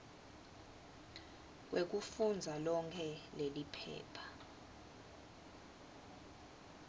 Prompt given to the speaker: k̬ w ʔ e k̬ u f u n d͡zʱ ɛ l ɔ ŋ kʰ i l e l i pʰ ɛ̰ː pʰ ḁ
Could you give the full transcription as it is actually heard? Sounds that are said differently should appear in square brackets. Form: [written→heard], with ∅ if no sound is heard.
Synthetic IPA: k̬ w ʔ e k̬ u f u n d͡zʱ [ɛ→a] l ɔ ŋ kʰ [i→ɛ] l e l i pʰ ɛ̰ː pʰ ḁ